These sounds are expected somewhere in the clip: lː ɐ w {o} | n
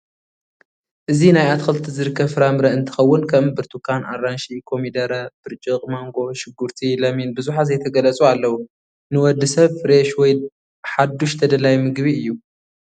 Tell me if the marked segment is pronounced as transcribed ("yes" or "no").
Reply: no